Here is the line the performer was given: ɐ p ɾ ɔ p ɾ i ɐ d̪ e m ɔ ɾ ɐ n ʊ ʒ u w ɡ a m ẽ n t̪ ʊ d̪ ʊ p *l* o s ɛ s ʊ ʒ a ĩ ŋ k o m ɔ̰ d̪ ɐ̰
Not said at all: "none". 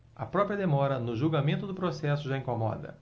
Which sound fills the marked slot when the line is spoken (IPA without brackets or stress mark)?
ɾ